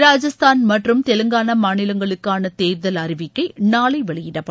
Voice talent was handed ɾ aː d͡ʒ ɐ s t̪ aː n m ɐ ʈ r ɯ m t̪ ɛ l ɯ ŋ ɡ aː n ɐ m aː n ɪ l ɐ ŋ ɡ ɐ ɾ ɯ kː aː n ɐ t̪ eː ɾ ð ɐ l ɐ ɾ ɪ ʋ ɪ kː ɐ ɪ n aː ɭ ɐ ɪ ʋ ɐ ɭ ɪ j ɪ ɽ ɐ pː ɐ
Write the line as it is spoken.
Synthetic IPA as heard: ɾ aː d͡ʒ ɐ s t̪ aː n m ɐ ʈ r ɯ m t̪ ɛ l ɯ ŋ ɡ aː n ɐ m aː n ɪ l ɐ ŋ ɡ ɐ ɭ ɯ kː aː n ɐ t̪ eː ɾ ð ɐ l ɐ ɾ ɪ ʋ ɪ kː ɐ ɪ n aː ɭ ɐ ɪ ʋ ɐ ɭ ɪ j ɪ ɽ ɐ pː ɐ